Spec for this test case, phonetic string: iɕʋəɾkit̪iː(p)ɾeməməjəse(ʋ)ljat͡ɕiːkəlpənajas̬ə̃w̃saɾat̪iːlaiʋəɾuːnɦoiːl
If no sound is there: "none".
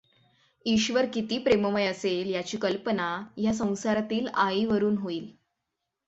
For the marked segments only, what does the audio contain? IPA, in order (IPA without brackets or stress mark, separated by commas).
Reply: p, none